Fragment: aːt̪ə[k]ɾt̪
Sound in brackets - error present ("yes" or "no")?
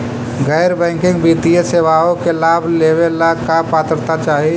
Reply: yes